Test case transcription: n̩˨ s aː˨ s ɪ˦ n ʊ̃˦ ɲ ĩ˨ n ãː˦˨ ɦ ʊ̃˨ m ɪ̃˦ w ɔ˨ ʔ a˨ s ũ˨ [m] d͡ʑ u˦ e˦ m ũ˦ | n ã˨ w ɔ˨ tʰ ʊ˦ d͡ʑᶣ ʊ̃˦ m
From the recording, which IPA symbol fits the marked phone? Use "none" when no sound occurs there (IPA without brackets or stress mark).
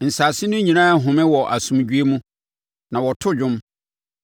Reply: m